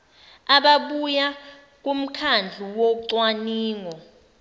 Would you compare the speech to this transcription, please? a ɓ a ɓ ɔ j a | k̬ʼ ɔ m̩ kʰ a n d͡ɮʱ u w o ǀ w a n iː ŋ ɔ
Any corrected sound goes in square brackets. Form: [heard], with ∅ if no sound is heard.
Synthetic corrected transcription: a ɓ a ɓ [u] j a | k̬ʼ [u] m̩ kʰ a n d͡ɮʱ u w o ǀ w a n iː ŋ ɔ